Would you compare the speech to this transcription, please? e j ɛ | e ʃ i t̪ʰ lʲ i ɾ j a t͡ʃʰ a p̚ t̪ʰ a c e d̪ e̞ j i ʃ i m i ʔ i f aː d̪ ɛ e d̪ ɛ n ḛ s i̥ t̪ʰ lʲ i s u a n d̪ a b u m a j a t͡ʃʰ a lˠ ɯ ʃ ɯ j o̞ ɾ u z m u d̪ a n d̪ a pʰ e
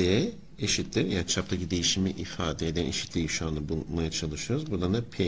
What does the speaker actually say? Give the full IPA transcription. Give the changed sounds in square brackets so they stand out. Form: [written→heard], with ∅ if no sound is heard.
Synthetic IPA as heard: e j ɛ | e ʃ i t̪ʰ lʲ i ɾ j a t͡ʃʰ a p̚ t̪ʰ a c [e→i] d̪ e̞ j i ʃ i m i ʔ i f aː d̪ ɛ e d̪ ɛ n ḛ [s→ʃ] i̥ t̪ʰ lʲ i [s→ʃ] u a n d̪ a b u m a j a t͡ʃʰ a lˠ ɯ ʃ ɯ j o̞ ɾ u z [m→b] u d̪ a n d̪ a pʰ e